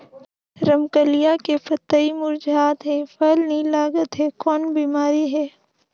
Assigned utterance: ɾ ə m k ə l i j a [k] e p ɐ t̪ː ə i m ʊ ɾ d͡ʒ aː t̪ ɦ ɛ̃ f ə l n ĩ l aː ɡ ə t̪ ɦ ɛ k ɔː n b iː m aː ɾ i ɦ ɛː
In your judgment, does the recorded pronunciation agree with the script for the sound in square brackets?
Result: yes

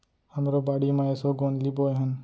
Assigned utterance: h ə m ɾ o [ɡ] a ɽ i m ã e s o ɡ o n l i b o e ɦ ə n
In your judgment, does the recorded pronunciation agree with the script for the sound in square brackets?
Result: no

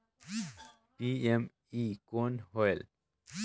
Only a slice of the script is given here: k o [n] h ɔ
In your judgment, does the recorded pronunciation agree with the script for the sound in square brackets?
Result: yes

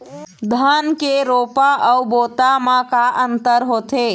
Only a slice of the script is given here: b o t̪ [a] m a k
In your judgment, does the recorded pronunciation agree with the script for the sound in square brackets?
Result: yes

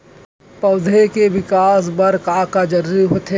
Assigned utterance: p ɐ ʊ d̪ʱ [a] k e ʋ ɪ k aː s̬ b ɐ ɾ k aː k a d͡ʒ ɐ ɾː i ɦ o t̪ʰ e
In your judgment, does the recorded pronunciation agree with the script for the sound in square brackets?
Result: no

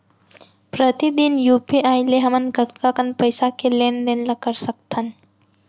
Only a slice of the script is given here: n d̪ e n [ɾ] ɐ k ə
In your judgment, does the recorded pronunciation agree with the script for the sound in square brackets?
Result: no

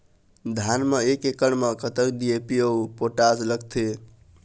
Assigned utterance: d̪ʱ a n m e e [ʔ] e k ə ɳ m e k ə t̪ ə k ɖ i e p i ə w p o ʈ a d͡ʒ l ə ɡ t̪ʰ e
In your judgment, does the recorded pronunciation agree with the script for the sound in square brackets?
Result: no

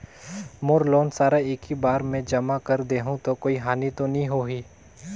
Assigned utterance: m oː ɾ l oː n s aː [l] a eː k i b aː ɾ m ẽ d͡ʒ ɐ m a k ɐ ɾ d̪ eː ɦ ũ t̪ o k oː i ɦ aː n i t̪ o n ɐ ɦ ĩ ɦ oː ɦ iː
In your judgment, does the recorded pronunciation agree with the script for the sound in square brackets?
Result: no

